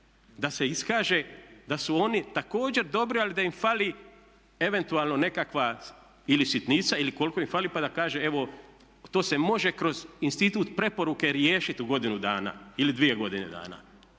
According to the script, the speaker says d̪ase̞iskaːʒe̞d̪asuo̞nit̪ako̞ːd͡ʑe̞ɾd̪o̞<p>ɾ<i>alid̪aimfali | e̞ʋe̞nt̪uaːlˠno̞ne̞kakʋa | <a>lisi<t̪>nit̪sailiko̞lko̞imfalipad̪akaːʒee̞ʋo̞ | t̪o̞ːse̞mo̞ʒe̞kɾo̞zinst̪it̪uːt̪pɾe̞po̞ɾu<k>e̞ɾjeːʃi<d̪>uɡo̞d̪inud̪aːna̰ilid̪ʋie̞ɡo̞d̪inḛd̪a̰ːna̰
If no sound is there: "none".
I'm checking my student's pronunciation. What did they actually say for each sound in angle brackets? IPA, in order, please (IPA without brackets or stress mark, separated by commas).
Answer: b, i, i, t̪, k, t̪